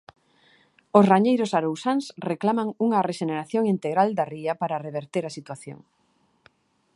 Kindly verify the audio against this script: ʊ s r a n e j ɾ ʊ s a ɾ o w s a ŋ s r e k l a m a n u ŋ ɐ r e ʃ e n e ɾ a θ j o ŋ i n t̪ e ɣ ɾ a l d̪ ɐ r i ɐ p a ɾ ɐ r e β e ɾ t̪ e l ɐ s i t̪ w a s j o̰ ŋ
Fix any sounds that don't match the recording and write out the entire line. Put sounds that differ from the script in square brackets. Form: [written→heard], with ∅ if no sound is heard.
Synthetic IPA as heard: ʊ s r a [n→ɲ] e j ɾ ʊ s a ɾ o w s a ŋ s r e k l a m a [n→ŋ] u ŋ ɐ r e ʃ e n e ɾ a θ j o ŋ i n t̪ e ɣ ɾ a l d̪ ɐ r i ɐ p a ɾ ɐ r e β e ɾ t̪ e [l→ɾ] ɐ s i t̪ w a [s→θ] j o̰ ŋ